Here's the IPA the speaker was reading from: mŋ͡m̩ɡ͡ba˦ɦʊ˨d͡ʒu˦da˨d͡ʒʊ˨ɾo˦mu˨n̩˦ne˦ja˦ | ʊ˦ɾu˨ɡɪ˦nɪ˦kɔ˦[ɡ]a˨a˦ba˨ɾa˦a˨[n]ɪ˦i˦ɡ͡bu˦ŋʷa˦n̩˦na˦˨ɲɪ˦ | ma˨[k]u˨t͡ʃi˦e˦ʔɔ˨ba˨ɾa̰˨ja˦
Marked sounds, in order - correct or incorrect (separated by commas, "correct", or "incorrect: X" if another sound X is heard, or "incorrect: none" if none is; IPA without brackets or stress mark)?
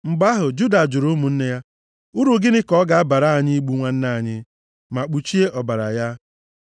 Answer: correct, incorrect: ɲ, incorrect: k͡p